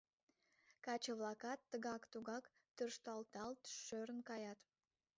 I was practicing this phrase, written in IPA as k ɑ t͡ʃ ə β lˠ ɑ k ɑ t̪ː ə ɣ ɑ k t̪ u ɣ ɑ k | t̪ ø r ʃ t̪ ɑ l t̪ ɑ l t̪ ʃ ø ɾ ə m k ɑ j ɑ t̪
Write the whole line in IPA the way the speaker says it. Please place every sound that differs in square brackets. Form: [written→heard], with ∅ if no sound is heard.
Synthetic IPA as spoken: k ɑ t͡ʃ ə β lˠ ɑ k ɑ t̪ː ə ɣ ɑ k t̪ u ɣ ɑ k | t̪ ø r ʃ t̪ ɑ l t̪ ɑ l t̪ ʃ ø ɾ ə [m→n] k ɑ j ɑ t̪